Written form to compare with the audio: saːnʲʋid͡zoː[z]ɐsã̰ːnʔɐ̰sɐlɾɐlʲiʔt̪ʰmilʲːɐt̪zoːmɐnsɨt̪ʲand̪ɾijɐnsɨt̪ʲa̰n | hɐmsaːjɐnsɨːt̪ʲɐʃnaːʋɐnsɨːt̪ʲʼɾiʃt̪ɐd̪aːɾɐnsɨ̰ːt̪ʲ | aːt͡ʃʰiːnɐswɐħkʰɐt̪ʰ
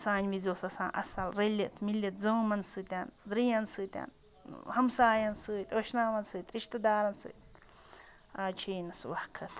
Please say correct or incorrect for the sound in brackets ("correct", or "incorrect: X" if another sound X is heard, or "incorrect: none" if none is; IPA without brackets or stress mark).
incorrect: s